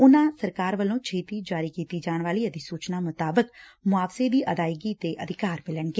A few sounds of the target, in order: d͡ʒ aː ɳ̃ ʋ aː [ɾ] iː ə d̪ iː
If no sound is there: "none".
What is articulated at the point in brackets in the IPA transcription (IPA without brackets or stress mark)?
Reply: l